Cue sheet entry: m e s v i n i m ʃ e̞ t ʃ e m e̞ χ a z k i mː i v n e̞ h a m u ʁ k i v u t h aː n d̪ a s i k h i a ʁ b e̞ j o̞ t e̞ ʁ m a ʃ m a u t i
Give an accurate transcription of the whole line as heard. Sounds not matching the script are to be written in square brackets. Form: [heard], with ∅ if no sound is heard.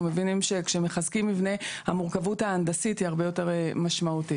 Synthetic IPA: m e [∅] v i n i m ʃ e̞ [k] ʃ e m e̞ χ a z k i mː i v n e̞ h a m u ʁ k [a] v u t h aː n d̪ a s i [t] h i a ʁ b e̞ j o̞ t e̞ ʁ m a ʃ m a u t i

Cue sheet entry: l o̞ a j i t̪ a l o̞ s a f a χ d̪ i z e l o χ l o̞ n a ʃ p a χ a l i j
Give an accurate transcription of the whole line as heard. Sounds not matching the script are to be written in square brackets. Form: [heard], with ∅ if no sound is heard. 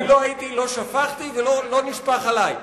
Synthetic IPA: l o̞ a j i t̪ [i] l o̞ [ʃ] a f a χ [t̪] i [v] e l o [∅] l o̞ n [i] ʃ p a χ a l [a] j

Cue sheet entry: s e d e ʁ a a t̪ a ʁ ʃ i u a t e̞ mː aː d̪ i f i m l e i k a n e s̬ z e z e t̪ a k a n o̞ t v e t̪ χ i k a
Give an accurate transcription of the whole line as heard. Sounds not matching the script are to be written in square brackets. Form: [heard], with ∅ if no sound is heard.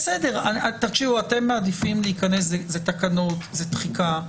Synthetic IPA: s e d e ʁ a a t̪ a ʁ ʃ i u a t e̞ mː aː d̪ i f i m l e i k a n e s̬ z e z e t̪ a k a n o̞ t [z] e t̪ χ i k a

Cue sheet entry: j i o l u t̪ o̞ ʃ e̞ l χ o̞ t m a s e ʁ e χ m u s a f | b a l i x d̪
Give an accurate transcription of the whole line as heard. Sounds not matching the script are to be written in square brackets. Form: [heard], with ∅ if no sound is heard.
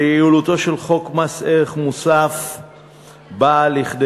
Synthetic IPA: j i [u] l u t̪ o̞ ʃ e̞ l χ o̞ [k] m a s e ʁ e χ m u s a f | b a l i [χ] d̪

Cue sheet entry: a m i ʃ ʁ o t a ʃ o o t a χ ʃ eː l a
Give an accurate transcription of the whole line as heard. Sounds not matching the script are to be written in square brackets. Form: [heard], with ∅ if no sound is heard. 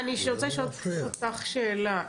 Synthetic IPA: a [n] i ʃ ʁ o [t͡s] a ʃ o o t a χ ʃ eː l a

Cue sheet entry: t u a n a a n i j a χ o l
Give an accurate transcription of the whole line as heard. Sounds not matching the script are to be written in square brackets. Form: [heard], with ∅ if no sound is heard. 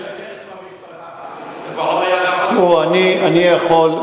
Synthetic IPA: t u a n [i] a n i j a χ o l

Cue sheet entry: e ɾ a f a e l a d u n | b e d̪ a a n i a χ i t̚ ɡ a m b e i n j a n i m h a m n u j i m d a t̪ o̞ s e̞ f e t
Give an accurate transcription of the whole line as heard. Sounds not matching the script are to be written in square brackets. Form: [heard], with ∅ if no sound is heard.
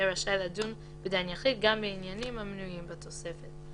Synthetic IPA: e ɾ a [ʃ] a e l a d u n | b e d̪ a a n [j] a χ i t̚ ɡ a m b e i n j a n i m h a m n u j i m [b] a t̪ o̞ s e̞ f e t

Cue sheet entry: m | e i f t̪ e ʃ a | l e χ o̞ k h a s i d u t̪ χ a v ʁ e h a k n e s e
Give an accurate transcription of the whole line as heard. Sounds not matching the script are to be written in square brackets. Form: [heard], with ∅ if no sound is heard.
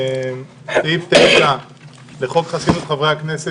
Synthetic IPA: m | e i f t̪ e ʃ a | l e χ o̞ k [χ] a s i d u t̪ χ a v ʁ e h a k n e s e

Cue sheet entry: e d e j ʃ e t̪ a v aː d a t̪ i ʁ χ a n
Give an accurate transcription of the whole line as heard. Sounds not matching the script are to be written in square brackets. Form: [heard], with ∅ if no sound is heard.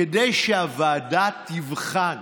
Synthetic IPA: e d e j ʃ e [∅] a v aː d a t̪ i [v] χ a n

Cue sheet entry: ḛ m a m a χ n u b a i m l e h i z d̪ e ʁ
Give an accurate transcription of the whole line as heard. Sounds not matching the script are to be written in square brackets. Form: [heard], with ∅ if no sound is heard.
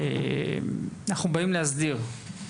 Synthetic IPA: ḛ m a [n] a χ n u b a i m l e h [a] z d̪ [i] ʁ

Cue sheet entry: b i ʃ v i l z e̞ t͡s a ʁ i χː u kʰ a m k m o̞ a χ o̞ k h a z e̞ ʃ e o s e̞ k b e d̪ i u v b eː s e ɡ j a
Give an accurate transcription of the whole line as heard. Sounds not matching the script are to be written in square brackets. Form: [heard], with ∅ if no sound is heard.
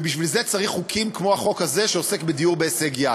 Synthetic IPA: b i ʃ v i l z e̞ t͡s a ʁ i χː u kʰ [i] m k m o̞ a χ o̞ k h a z e̞ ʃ e o s e̞ k b e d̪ i u [ʁ] b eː s e ɡ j a

